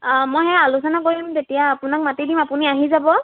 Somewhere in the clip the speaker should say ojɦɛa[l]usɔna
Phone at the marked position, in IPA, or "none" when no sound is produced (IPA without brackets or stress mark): l